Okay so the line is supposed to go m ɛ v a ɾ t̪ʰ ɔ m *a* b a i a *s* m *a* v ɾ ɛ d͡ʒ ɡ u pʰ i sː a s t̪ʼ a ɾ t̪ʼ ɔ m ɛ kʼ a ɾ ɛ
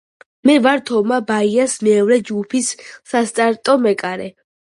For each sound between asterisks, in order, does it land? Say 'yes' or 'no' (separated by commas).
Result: yes, yes, no